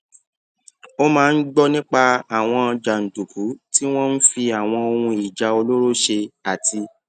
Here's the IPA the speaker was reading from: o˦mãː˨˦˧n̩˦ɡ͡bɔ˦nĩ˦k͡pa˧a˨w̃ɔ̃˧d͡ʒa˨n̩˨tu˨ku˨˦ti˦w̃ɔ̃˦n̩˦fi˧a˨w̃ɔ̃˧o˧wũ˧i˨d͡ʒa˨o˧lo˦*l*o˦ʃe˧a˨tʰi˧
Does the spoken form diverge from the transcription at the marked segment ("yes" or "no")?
yes